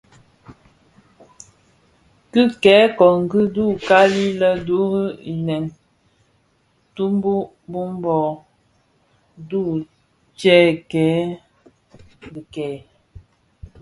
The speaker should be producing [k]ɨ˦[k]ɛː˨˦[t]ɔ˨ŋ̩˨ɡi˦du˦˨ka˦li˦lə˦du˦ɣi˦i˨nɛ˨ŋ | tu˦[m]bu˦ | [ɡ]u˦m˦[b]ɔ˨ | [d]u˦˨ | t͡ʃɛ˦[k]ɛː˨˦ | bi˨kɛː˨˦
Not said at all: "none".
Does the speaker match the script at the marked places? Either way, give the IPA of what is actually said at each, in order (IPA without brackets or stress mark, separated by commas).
k, k, k, m, b, b, d, k